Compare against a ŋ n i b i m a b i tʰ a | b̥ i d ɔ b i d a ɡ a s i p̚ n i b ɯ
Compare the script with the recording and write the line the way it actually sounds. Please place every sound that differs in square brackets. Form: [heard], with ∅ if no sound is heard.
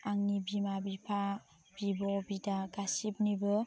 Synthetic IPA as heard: a ŋ n i b i m a b i [pʰ] a | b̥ i [b] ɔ b i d a ɡ a s i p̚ n i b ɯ